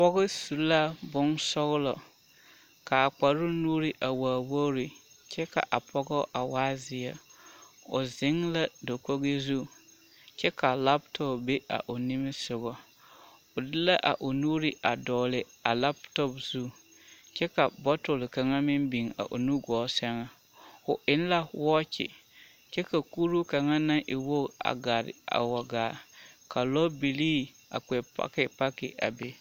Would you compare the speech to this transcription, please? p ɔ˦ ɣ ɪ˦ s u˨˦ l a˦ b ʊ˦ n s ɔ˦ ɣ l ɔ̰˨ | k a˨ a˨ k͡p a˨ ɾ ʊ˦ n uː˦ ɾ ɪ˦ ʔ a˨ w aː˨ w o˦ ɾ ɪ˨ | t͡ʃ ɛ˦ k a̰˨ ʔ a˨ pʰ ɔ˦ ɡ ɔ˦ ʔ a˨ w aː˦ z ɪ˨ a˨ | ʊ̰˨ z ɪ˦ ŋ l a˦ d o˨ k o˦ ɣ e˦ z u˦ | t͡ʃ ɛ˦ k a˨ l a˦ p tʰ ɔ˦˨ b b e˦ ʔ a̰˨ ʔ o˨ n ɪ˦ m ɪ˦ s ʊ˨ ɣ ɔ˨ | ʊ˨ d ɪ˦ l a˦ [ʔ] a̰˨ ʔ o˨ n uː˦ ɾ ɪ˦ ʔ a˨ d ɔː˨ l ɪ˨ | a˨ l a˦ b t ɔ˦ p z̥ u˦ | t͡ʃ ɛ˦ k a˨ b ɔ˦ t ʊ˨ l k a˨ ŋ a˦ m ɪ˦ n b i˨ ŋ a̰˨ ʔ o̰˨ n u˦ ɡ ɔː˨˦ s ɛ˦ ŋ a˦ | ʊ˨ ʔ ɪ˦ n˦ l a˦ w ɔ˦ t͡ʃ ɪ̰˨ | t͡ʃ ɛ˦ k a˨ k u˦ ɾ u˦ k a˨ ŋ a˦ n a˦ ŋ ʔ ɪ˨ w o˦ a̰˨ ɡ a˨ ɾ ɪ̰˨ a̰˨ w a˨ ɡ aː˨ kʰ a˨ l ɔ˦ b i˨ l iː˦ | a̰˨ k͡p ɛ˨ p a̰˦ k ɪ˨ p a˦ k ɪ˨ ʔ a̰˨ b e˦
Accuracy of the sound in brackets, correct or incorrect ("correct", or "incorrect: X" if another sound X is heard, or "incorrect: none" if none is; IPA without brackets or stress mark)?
correct